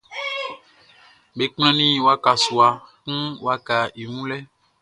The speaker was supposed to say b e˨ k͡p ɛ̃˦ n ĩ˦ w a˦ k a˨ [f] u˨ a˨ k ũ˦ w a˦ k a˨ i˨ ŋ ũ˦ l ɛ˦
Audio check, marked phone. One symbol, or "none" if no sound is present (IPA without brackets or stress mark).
s